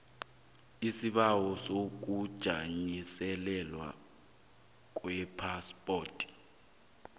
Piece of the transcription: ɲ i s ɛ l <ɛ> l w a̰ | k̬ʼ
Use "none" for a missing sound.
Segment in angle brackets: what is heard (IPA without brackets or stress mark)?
ɛ